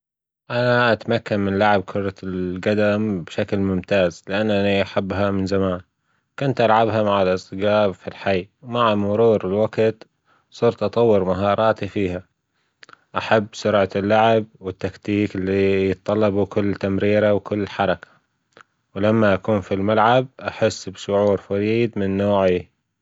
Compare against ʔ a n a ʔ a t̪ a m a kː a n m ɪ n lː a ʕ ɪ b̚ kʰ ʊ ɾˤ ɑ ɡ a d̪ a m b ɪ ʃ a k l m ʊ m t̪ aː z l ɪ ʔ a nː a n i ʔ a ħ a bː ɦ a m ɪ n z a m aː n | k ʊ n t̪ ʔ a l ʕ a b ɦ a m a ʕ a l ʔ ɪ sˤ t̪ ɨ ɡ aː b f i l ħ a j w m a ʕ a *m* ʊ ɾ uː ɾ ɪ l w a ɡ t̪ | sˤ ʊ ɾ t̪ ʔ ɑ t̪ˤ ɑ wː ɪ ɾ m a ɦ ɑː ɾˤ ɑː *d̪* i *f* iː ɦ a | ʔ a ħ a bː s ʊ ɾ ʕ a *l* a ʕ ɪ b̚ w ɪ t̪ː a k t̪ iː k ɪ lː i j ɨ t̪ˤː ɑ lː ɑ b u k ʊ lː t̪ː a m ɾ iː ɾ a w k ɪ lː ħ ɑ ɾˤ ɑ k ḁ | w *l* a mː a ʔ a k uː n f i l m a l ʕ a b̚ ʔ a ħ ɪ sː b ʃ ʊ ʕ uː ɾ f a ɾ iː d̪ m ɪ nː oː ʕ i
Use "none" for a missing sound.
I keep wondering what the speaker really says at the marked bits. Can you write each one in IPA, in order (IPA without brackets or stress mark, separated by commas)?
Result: m, t̪, f, lː, l